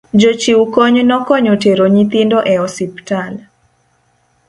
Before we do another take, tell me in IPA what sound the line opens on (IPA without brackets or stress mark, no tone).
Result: d͡ʒ